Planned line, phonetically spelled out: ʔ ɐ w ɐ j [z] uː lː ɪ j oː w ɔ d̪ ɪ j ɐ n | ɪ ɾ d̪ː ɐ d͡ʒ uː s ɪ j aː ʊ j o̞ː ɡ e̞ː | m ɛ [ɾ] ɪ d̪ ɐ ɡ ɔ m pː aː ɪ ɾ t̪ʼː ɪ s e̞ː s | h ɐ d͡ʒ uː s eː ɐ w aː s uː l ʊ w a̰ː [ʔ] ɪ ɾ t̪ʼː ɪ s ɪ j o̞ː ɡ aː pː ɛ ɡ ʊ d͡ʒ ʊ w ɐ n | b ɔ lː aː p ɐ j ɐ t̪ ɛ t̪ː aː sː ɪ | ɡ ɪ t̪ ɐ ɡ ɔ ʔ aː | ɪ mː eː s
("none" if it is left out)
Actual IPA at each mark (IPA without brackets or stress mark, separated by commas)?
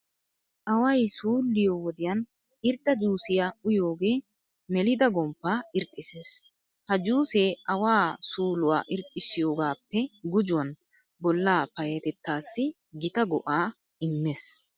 s, l, ʔ